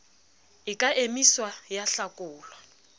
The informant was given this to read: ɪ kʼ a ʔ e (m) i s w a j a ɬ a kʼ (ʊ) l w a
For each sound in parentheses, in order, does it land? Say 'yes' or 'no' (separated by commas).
yes, no